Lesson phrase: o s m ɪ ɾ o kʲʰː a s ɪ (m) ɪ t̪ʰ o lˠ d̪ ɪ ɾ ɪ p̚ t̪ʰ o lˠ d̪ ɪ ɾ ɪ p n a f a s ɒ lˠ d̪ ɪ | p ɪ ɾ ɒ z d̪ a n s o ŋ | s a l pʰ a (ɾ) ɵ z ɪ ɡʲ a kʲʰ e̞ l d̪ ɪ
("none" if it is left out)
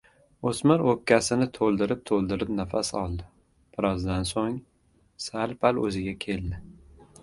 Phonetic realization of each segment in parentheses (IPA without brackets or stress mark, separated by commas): n, l